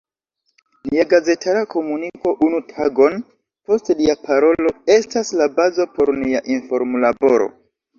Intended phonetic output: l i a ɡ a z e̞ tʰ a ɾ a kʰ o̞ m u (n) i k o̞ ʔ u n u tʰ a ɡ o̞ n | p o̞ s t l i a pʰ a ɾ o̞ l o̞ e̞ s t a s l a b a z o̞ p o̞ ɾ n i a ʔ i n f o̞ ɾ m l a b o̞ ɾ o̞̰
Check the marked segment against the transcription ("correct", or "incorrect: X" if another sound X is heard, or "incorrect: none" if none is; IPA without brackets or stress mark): correct